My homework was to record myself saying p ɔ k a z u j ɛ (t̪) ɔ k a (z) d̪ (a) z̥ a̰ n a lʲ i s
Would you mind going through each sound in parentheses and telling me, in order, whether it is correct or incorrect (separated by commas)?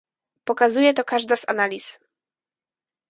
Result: correct, incorrect, correct